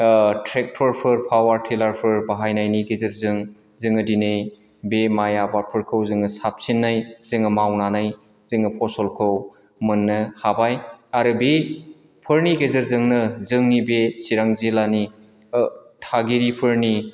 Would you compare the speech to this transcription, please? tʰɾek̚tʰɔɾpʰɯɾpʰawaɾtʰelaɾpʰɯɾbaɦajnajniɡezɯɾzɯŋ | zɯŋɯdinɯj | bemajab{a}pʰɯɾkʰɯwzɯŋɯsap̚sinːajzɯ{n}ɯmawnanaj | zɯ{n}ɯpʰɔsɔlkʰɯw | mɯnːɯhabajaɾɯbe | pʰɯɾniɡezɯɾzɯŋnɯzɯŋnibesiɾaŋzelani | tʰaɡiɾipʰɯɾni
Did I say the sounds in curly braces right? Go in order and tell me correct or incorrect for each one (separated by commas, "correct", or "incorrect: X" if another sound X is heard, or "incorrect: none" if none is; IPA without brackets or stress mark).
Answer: correct, incorrect: ŋ, incorrect: ŋ